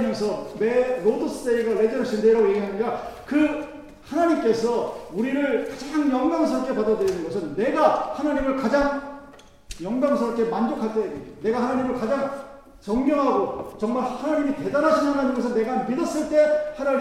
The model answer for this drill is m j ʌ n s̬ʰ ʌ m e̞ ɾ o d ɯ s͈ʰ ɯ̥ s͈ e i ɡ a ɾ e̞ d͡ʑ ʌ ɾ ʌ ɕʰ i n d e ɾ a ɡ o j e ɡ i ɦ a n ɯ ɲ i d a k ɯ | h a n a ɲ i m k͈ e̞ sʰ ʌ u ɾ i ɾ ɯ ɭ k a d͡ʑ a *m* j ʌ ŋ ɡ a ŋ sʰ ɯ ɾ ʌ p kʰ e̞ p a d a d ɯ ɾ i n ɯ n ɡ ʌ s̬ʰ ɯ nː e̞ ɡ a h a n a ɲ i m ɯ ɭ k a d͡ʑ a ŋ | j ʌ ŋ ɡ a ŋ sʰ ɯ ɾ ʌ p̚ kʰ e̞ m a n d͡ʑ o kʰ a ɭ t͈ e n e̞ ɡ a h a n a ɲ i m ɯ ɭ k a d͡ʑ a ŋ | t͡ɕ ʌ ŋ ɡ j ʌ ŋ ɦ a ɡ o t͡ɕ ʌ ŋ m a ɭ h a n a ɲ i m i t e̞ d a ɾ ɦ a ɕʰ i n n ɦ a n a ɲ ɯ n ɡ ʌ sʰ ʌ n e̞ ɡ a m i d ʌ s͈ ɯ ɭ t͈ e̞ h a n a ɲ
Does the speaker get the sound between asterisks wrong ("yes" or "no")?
yes